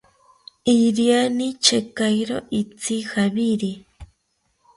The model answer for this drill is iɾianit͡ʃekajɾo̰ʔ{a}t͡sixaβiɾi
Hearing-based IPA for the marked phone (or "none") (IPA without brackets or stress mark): i